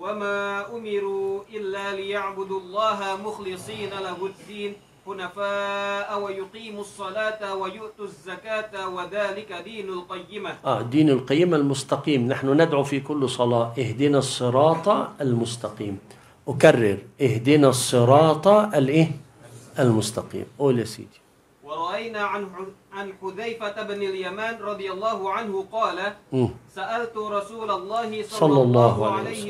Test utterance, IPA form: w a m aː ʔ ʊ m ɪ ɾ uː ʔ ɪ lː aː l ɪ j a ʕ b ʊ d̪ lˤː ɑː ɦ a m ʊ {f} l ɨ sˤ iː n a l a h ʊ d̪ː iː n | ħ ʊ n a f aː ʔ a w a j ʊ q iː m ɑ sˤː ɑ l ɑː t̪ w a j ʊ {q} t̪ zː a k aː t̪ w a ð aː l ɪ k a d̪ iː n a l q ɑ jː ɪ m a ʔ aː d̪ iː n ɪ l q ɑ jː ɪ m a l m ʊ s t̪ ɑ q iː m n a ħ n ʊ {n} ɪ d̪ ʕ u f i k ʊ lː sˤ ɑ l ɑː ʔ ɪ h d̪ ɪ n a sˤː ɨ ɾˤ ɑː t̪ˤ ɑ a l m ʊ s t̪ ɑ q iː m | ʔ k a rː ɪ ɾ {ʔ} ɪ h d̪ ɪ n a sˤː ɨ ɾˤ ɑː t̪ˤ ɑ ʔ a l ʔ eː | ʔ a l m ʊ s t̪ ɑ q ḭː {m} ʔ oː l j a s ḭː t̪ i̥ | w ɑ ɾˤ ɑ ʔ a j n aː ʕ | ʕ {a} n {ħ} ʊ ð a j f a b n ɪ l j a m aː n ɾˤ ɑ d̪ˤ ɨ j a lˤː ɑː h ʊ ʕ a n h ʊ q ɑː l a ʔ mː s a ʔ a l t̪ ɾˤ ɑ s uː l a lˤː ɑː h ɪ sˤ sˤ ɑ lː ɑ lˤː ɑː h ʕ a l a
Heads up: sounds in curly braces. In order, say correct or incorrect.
incorrect: x, incorrect: ʔ, correct, correct, correct, correct, correct

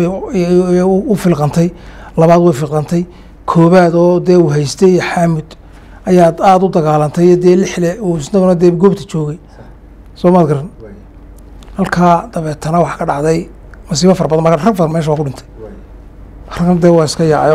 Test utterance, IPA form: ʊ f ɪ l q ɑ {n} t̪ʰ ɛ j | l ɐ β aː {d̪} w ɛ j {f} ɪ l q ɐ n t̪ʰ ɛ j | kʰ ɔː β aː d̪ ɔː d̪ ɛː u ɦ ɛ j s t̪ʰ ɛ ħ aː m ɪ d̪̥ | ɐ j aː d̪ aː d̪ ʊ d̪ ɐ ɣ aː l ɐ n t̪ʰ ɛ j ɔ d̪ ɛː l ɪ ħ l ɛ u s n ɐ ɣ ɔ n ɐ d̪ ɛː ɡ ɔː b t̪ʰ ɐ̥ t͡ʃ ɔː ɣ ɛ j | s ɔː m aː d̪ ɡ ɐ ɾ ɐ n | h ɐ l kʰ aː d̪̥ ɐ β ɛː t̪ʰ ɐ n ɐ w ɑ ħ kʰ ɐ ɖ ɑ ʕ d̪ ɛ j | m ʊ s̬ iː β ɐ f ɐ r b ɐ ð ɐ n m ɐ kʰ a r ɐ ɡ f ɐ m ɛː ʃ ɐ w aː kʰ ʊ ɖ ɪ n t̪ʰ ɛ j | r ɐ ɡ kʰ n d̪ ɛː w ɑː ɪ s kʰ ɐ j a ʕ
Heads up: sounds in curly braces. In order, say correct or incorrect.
correct, correct, correct

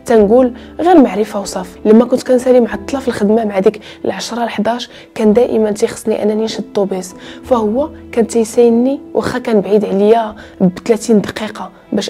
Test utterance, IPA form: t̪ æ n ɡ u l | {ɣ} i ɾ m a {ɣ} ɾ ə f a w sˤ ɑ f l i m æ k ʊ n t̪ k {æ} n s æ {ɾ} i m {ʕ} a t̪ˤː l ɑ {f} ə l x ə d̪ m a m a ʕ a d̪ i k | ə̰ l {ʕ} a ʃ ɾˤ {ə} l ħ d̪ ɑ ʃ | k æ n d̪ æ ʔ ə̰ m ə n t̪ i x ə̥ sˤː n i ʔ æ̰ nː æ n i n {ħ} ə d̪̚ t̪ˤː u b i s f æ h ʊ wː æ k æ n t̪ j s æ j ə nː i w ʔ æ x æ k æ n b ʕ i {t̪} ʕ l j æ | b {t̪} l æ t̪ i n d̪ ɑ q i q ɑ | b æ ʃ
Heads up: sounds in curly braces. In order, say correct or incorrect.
correct, incorrect: ʕ, correct, incorrect: l, correct, correct, correct, incorrect: ɑ, incorrect: ʃ, incorrect: d̪, correct

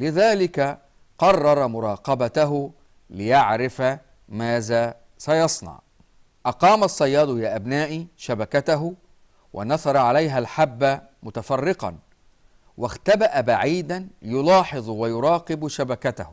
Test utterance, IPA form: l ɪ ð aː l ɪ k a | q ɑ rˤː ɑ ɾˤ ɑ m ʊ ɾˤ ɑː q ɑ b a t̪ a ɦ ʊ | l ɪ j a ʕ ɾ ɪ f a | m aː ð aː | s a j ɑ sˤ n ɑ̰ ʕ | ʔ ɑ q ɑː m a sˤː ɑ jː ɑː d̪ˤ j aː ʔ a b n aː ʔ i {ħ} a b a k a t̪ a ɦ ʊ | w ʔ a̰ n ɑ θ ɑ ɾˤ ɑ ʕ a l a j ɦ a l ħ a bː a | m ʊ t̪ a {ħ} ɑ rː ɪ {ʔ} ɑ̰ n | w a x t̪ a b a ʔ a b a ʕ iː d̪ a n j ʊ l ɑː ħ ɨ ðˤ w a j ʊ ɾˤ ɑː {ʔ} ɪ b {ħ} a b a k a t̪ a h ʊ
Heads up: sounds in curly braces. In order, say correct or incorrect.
incorrect: ʃ, incorrect: f, incorrect: q, incorrect: q, incorrect: ʃ

